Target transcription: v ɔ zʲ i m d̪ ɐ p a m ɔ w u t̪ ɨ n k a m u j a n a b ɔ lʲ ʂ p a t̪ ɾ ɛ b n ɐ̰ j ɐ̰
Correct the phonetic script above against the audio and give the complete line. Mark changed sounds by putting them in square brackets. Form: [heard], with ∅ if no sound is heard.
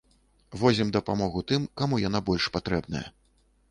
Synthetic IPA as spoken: v ɔ zʲ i m d̪ ɐ p a m ɔ [ɣ] u t̪ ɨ [m] k a m u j a n a b ɔ lʲ ʂ p a t̪ ɾ ɛ b n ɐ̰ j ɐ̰